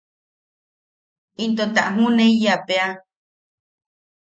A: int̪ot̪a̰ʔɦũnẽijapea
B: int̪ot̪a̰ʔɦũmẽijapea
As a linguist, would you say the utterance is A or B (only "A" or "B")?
A